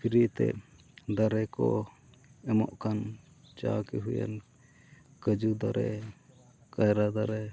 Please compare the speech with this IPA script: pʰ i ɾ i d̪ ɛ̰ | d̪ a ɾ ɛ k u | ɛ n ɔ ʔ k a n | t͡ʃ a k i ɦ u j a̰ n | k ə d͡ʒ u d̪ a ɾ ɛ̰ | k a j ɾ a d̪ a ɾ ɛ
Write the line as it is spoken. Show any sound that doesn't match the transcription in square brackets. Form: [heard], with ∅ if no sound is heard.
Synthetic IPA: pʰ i ɾ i [t̪] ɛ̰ | d̪ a ɾ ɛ k [ɔ] | ɛ [m] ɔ ʔ k a n | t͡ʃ a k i ɦ u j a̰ n | k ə d͡ʒ u d̪ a ɾ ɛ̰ | k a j ɾ a d̪ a ɾ ɛ